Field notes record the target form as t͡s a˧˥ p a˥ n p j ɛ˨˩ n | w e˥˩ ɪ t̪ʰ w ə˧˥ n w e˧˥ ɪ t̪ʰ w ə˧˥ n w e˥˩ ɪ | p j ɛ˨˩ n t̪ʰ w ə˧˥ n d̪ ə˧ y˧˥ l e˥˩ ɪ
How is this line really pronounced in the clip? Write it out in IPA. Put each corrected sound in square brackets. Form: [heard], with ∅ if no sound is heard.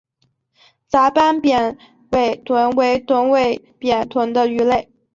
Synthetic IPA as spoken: t͡s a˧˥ p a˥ n p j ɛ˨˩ n | w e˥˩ ɪ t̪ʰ w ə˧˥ n w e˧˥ ɪ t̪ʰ w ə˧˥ n w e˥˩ ɪ | p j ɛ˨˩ n t̪ʰ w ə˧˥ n d̪ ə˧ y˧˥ l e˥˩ ɪ